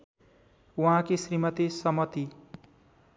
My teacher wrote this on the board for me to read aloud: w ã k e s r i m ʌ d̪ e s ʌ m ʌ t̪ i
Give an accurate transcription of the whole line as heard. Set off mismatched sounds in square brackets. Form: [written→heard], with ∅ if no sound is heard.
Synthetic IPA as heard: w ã k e s r i m ʌ [d̪→t̪] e s ʌ m ʌ t̪ i